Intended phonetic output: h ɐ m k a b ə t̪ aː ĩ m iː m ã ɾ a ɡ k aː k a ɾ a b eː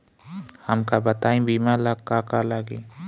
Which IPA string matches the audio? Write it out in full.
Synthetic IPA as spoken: h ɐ m k a b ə t̪ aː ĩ b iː m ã l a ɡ k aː k a l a ɡ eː